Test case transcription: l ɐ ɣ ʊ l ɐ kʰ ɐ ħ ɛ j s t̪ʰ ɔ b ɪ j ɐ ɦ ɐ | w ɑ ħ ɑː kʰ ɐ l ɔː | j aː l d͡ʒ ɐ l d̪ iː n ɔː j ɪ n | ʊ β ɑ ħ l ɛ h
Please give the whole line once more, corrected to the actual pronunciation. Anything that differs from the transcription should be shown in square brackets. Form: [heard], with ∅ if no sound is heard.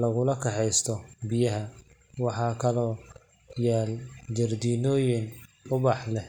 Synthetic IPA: l ɐ ɣ ʊ l ɐ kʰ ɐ ħ ɛ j s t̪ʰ ɔ b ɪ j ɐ ɦ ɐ | w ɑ ħ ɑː kʰ ɐ l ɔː | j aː l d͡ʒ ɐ [r] d̪ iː n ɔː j ɪ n | ʊ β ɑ ħ l ɛ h

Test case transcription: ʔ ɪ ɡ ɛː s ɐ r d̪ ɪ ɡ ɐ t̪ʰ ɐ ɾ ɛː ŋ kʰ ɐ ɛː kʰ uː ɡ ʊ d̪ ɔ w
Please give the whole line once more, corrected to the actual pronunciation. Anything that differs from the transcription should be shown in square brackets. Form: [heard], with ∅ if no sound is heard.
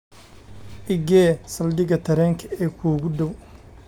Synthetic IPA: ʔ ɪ ɡ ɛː s ɐ [l] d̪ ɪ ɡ ɐ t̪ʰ ɐ ɾ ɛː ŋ kʰ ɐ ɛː kʰ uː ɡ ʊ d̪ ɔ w

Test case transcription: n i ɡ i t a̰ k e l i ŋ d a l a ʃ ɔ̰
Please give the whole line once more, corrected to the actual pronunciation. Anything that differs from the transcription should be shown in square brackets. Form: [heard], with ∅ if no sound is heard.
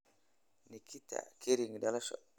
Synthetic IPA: n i [k] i t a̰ k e [ɾ] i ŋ d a l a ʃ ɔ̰

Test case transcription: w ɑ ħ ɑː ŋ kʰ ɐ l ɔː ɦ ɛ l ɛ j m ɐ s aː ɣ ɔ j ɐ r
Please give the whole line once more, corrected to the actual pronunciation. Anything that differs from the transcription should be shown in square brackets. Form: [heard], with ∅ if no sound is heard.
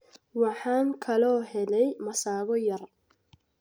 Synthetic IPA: w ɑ ħ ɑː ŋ kʰ ɐ l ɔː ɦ ɛ l ɛ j m ɐ s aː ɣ ɔ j ɐ r

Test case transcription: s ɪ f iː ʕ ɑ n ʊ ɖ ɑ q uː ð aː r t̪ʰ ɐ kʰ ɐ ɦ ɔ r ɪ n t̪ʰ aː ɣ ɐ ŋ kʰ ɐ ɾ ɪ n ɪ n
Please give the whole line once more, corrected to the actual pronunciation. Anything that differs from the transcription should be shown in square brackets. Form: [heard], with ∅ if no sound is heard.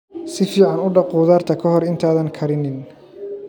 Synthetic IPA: s ɪ f iː ʕ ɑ n ʊ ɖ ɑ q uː ð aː r t̪ʰ ɐ kʰ ɐ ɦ ɔ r ɪ n t̪ʰ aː [ð] ɐ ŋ kʰ ɐ ɾ ɪ n ɪ n

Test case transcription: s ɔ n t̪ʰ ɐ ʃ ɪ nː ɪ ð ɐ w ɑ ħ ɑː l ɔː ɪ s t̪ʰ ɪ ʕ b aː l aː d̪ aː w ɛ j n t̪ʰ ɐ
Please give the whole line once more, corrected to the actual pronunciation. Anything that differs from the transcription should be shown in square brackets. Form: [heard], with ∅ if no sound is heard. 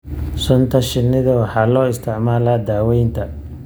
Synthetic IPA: s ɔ n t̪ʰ ɐ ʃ ɪ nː ɪ ð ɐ w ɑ ħ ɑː l ɔː ɪ s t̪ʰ ɪ ʕ [m] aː l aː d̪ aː w ɛ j n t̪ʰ ɐ

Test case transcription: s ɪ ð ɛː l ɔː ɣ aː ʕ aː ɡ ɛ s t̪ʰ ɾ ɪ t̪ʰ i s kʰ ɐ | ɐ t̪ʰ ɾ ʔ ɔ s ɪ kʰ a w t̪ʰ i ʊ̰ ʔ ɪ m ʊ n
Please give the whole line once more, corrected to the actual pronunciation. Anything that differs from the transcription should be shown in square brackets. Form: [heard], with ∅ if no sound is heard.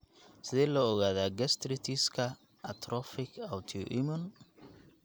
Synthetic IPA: s ɪ ð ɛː l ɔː ɣ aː [ð] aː ɡ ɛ s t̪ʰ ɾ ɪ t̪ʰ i s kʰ ɐ | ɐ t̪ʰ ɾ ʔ ɔ [f] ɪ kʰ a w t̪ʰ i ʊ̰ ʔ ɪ m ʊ n

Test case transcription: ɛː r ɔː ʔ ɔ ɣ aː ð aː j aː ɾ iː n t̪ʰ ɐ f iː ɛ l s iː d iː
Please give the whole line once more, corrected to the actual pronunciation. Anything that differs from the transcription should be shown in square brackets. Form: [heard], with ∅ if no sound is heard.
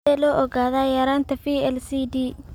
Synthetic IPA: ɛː [l] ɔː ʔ ɔ ɣ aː ð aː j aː ɾ [aː] n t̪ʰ ɐ f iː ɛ l s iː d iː

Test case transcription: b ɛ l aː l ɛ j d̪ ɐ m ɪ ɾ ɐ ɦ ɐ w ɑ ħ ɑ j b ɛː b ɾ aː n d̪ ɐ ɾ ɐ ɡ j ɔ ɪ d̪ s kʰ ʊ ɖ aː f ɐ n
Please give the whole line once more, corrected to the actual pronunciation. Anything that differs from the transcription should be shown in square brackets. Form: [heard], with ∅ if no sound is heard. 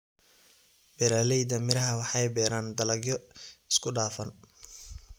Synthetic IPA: b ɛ [ɾ] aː l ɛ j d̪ ɐ m ɪ ɾ ɐ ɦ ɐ w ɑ ħ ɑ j b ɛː [∅] ɾ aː n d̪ ɐ [l] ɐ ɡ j ɔ ɪ [∅] s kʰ ʊ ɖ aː f ɐ n

